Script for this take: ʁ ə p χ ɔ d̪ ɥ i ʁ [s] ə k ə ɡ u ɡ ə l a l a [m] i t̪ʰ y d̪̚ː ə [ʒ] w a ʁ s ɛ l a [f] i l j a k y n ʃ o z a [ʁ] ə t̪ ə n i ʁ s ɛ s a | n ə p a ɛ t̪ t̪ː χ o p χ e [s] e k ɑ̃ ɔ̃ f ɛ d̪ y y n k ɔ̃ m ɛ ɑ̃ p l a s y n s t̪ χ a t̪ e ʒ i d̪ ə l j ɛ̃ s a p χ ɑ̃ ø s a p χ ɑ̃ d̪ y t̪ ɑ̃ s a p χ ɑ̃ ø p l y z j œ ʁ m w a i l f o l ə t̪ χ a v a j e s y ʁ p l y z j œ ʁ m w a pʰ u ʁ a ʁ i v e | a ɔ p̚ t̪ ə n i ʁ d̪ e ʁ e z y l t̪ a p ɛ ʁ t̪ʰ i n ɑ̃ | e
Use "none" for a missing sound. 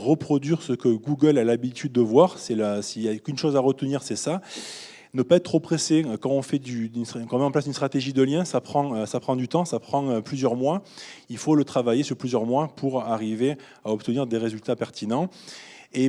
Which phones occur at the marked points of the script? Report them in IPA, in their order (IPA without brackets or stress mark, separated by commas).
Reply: s, b, v, s, ʁ, s